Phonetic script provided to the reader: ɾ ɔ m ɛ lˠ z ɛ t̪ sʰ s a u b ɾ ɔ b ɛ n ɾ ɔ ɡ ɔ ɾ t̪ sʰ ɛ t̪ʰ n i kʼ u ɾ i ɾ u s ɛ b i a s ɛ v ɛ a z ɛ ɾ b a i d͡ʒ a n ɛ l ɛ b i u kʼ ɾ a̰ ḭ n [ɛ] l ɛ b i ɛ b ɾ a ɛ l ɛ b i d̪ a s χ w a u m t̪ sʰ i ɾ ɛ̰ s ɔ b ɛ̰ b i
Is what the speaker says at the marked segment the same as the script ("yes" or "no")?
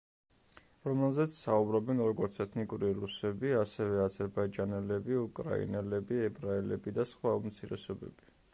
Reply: yes